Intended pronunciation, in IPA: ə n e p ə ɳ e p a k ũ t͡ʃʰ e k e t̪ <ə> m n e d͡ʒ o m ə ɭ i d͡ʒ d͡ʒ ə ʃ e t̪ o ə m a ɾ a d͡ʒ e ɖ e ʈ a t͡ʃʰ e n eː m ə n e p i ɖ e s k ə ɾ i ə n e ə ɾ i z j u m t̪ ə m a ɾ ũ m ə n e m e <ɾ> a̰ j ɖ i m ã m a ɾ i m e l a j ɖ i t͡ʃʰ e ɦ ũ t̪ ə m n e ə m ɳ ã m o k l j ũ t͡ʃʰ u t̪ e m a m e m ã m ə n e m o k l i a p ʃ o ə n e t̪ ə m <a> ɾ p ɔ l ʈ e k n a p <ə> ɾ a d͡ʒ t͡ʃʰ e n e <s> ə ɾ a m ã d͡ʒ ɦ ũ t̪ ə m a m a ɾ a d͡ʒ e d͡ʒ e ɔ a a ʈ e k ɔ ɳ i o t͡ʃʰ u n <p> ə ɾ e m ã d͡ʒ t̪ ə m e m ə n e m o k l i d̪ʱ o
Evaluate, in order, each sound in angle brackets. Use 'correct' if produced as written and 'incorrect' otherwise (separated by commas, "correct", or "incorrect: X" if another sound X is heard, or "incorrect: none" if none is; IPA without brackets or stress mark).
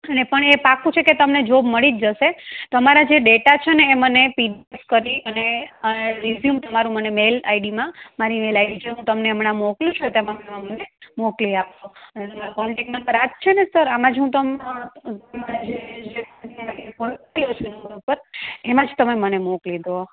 correct, incorrect: l, correct, correct, correct, correct